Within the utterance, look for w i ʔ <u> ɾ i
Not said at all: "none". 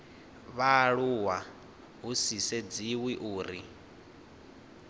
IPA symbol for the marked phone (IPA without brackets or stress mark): uː